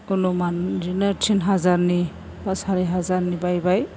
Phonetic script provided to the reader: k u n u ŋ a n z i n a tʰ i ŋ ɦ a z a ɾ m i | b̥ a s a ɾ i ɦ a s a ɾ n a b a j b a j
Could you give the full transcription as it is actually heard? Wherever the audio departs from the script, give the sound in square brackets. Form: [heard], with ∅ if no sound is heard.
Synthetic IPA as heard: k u n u [m] a n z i n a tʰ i [n] ɦ a z a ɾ [n] i | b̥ a s a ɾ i ɦ a [z] a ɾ n [i] b a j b a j